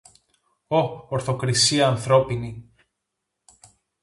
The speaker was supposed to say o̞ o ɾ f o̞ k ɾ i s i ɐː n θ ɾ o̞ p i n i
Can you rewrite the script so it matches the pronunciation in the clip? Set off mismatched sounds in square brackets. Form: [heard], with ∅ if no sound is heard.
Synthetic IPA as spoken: o̞ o ɾ [θ] o̞ k ɾ i s i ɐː n θ ɾ o̞ p i n i